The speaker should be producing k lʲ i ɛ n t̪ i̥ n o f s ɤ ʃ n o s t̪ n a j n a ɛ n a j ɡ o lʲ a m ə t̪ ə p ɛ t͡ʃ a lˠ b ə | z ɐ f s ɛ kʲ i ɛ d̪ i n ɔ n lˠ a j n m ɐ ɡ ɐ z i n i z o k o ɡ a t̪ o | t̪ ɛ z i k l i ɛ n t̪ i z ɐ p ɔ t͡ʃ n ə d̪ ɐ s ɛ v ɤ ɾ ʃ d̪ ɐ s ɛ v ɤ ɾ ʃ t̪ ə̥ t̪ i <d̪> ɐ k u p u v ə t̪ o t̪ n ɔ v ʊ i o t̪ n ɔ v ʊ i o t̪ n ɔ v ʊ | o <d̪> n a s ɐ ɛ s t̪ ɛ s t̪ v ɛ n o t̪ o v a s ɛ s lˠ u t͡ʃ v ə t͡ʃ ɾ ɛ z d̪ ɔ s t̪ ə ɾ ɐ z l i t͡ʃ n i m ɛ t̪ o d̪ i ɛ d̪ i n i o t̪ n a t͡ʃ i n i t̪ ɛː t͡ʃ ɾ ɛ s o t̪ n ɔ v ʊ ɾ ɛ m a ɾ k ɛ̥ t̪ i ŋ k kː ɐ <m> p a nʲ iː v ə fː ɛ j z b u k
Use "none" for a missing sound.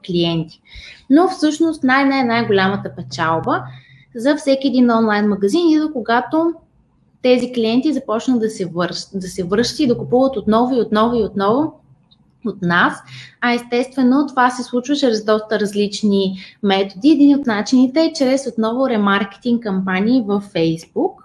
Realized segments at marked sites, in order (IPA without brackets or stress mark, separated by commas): d̪, t̪, m